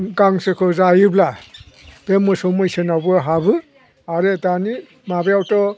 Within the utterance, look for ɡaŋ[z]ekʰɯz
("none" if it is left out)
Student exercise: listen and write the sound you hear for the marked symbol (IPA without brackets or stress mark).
s